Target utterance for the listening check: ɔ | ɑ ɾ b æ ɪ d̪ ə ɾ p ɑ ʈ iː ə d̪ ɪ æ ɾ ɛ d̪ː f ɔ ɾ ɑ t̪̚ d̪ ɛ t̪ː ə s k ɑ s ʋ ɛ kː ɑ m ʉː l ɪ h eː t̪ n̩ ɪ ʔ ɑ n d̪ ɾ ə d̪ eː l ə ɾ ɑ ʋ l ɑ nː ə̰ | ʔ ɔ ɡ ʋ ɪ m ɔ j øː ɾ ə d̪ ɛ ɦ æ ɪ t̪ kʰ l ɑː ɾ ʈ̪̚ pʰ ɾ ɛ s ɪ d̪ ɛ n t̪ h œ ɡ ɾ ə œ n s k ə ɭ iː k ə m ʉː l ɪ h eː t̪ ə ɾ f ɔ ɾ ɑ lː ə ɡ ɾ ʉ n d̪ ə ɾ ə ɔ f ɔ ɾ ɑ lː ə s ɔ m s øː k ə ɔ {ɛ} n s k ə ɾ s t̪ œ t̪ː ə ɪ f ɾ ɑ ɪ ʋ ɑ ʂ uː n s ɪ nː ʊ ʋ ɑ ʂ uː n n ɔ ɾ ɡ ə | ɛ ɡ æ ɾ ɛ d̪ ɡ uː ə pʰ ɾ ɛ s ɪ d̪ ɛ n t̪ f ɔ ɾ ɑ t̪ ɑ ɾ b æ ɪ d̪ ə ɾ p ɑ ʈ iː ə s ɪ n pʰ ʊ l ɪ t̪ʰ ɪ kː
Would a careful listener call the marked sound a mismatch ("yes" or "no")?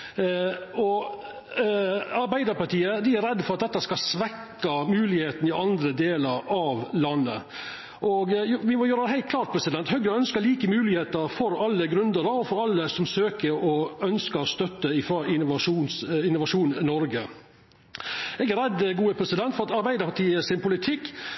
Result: yes